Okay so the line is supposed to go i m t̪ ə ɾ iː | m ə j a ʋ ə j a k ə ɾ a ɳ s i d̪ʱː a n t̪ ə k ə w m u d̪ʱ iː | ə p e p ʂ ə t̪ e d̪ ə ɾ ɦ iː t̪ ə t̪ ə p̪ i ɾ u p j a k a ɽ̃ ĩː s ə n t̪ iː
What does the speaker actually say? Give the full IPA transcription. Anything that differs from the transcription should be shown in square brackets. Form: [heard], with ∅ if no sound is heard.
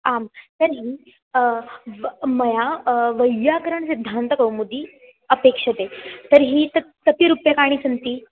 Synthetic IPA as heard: [a] m t̪ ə ɾ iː | m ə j a ʋ ə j a k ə ɾ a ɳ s i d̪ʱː a n t̪ ə k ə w m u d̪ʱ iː | ə p e [k] ʂ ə t̪ e [t̪] ə ɾ ɦ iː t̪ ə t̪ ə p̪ i ɾ u p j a k a ɽ̃ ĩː s ə n t̪ iː